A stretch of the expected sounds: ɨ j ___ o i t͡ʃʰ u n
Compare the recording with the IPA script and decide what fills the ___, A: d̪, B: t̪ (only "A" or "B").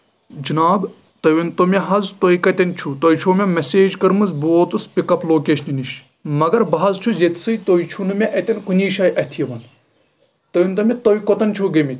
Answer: B